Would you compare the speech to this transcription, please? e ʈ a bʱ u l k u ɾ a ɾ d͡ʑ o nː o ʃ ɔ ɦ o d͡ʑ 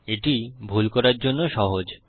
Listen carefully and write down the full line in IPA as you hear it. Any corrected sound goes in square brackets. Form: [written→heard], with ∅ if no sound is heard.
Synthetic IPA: e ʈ [a→i] bʱ u l k [u→ɔ] ɾ a ɾ d͡ʑ o nː o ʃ ɔ ɦ o d͡ʑ